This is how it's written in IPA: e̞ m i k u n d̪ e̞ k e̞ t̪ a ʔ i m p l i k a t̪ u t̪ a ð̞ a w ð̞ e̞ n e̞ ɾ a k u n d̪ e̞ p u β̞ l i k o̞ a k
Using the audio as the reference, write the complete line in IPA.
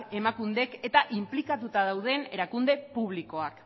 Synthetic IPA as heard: e̞ m a k u n d̪ e̞ k e̞ t̪ a ʔ i m p l i k a t̪ u t̪ a ð̞ a w ð̞ e̞ n e̞ ɾ a k u n d̪ e̞ p u β̞ l i k o̞ a k

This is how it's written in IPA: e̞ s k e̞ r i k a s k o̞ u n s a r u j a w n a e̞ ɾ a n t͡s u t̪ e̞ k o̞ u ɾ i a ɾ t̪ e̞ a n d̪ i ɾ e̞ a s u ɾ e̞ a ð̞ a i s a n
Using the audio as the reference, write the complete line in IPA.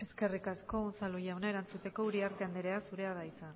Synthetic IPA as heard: e̞ s k e̞ r i k a s k o̞ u n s a l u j a w n a e̞ ɾ a n t͡s u t̪ e̞ k o̞ u ɾ i a ɾ t̪ e̞ a n d̪ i ɾ e̞ a s u ɾ e̞ a ð̞ a i s a n

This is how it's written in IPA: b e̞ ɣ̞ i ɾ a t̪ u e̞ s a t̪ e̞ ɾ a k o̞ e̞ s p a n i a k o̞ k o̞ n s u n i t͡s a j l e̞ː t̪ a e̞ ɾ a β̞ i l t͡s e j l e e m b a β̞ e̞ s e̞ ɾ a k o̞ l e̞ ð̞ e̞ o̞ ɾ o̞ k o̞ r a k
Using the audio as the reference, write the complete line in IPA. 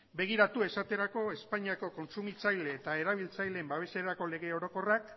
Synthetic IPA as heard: b e̞ ɣ̞ i ɾ a t̪ u e̞ s a t̪ e̞ ɾ a k o̞ e̞ s p a ɲ i a k o̞ k o̞ n s u m i t͡s a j l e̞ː t̪ a e̞ ɾ a β̞ i l t͡s a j l e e m b a β̞ e̞ s e̞ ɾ a k o̞ l e̞ ɣ̞ e̞ o̞ ɾ o̞ k o̞ r a k

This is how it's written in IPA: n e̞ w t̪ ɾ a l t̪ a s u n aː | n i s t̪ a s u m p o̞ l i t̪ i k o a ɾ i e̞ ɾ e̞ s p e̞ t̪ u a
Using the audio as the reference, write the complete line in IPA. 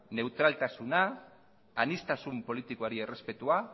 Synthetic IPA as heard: n e̞ w t̪ ɾ a l t̪ a s u n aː | n i s t̪ a s u m p o̞ l i t̪ i k o a ɾ i e̞ r e̞ s p e̞ t̪ u a

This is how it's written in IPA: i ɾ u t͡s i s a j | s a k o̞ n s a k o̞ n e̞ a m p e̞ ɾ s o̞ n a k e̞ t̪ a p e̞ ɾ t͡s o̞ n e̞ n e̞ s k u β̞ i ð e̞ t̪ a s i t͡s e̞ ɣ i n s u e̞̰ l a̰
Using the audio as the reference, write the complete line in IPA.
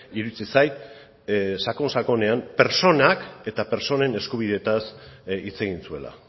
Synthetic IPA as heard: i ɾ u t͡s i s a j | s a k o̞ n s a k o̞ n e̞ a m p e̞ ɾ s o̞ n a k e̞ t̪ a p e̞ ɾ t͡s o̞ n e̞ n e̞ s k u β̞ i ð e̞ t̪ a s i t͡s e̞ ɣ i n s u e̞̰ l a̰

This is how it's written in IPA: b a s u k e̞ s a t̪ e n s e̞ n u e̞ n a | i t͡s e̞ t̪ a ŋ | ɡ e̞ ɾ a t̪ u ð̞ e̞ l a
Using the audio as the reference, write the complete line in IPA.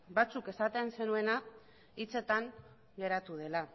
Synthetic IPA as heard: b a t͡s u k e̞ s a t̪ e n s e̞ n u e̞ n a | i t͡s e̞ t̪ a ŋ | ɡ e̞ ɾ a t̪ u ð̞ e̞ l a

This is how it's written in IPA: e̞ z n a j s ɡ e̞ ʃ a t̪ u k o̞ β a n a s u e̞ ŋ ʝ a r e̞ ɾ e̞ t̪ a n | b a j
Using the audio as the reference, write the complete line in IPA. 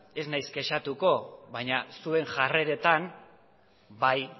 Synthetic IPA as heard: e̞ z n a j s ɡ e̞ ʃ a t̪ u k o̞ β a ɲ a s u e̞ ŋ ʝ a r e̞ ɾ e̞ t̪ a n | b a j

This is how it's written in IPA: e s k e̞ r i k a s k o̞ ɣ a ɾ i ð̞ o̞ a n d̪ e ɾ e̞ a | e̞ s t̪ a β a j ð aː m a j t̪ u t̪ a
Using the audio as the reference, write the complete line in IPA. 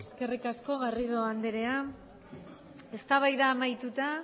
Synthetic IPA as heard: e s k e̞ r i k a s k o̞ ɣ a r i ð̞ o̞ a n d̪ e ɾ e̞ a | e̞ s t̪ a β a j ð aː m a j t̪ u t̪ a

